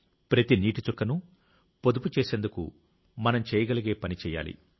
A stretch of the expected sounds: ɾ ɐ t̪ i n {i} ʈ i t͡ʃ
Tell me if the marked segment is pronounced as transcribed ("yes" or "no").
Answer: no